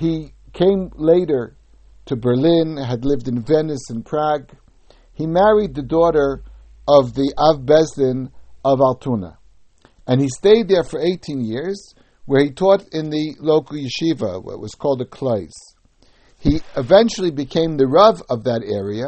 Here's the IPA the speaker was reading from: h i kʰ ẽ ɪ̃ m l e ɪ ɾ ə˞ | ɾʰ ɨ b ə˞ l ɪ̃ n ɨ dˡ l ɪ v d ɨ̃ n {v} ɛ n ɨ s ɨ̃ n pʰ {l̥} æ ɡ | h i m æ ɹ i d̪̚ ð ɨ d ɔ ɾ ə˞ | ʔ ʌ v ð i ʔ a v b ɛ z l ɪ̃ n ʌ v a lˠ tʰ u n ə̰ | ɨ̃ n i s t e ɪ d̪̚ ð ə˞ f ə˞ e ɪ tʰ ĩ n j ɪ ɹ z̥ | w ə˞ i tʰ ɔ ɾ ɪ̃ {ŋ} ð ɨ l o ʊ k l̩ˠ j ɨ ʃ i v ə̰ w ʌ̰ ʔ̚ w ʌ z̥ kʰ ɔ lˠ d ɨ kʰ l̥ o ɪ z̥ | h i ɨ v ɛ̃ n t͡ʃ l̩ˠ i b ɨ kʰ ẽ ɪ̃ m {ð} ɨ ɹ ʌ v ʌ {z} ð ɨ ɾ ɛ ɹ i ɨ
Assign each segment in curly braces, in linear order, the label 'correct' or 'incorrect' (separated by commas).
correct, incorrect, incorrect, correct, incorrect